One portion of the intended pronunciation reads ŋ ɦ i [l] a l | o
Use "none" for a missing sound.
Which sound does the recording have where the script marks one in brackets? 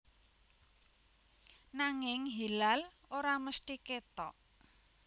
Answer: l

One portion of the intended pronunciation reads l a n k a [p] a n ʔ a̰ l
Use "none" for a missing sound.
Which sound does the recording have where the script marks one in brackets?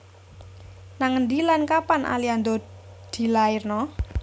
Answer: p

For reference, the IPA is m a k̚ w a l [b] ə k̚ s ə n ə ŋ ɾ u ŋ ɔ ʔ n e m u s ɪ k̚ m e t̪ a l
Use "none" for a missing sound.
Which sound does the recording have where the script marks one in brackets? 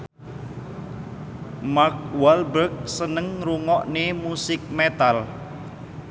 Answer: b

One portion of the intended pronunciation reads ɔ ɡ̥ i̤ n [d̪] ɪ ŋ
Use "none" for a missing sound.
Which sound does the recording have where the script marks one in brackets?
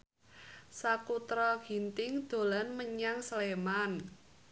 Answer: t̪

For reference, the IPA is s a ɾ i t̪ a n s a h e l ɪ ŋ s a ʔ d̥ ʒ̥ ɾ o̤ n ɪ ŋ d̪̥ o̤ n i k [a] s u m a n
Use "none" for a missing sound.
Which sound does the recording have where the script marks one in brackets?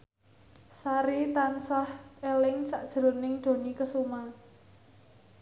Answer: ə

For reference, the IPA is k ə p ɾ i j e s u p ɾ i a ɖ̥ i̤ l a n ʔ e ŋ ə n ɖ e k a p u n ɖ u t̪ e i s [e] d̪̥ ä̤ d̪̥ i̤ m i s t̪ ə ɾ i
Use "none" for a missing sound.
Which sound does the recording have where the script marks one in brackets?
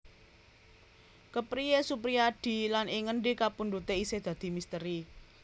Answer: e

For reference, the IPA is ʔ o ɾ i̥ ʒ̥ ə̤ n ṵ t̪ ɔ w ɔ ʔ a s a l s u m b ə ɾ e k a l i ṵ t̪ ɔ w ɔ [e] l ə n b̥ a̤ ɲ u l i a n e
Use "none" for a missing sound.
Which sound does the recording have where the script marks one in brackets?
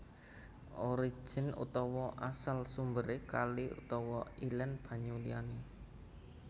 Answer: i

